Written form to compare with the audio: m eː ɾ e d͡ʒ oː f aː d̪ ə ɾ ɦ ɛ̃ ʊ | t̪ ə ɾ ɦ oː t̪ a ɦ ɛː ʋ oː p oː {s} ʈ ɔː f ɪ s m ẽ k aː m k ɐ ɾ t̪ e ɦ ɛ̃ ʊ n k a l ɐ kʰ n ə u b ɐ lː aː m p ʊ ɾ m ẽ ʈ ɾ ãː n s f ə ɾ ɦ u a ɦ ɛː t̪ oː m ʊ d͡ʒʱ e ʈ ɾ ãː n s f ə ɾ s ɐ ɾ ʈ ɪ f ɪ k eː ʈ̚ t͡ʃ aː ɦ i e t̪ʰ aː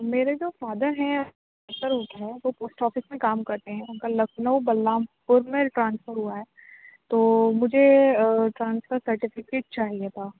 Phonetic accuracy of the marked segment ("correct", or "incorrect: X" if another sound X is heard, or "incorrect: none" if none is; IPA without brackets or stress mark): correct